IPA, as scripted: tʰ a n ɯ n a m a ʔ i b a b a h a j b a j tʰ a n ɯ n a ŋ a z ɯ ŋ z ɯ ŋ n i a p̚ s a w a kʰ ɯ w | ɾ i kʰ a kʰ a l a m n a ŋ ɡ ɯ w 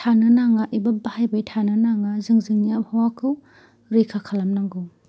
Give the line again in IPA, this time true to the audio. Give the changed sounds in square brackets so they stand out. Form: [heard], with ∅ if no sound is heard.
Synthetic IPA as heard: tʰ a n ɯ n a [ŋ] a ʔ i b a b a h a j b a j tʰ a n ɯ n a ŋ a z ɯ ŋ z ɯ ŋ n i a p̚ [h] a w a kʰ ɯ w | ɾ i kʰ a kʰ a l a m n a ŋ ɡ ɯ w